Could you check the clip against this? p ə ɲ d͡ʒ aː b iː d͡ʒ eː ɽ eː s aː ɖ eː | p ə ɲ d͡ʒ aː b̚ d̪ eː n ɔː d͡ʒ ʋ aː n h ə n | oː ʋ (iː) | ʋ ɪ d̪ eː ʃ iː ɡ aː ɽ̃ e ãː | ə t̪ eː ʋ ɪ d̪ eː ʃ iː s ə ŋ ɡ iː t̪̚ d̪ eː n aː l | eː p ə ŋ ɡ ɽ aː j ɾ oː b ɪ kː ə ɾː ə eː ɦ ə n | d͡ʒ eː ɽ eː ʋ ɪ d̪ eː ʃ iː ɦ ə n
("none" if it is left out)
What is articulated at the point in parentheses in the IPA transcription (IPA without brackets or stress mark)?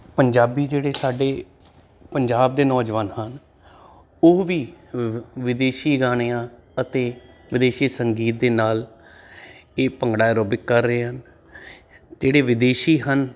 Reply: iː